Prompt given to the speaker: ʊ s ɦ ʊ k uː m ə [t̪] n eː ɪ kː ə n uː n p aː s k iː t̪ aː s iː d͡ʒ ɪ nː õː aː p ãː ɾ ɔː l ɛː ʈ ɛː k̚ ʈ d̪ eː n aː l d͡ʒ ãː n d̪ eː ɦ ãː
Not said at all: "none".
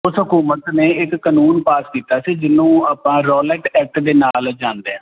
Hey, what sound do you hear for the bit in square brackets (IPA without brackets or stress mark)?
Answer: t̪